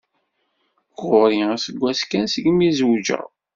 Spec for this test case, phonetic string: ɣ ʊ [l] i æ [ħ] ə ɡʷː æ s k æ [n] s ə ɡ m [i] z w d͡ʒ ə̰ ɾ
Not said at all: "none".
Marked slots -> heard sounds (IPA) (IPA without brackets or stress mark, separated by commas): ɾ, s, n, i